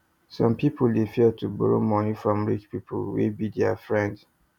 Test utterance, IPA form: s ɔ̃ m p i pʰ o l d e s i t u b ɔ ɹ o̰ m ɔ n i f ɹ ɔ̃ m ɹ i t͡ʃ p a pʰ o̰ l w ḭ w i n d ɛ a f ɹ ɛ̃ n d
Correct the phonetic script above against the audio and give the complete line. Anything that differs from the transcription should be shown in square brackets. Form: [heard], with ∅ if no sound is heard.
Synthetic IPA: s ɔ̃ m p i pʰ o l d e [f] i t u b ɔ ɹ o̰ m ɔ n i f ɹ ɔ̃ m ɹ i t͡ʃ p [i] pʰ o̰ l w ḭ [b] i [∅] d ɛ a f ɹ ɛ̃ n d